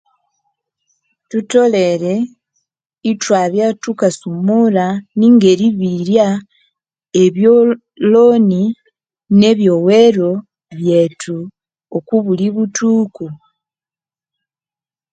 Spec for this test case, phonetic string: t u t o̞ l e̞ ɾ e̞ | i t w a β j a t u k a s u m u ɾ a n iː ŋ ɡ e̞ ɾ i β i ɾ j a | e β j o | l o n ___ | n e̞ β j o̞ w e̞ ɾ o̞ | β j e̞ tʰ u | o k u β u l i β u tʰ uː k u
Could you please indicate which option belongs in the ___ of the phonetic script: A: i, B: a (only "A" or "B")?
A